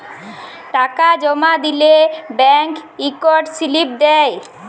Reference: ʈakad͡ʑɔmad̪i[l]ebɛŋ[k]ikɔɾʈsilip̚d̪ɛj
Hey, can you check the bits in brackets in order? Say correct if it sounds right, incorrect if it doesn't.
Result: correct, correct

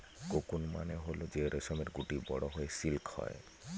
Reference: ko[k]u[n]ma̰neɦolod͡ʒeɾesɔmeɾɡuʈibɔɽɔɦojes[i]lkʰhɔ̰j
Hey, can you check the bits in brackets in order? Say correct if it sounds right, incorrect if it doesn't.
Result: correct, correct, correct

